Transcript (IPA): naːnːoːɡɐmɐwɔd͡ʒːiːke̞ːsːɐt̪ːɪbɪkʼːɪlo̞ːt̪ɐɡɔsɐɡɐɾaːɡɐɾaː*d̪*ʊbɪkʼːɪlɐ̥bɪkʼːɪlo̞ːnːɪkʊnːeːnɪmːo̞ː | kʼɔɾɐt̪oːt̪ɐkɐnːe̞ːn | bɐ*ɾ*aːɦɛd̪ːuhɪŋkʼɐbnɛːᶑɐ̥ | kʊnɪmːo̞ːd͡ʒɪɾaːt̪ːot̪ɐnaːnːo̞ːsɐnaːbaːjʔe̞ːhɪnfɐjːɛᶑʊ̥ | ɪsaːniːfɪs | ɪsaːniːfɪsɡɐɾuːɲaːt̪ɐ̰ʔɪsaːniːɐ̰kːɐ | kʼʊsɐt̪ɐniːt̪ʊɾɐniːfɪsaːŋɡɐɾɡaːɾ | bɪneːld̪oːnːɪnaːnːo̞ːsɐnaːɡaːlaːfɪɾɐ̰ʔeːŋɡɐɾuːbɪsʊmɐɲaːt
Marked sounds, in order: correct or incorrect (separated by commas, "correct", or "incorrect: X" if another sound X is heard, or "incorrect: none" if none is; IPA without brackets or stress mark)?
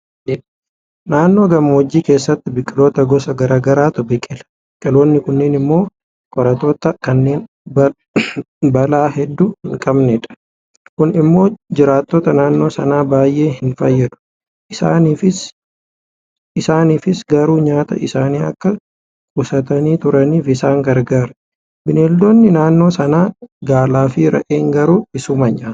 incorrect: t̪, incorrect: l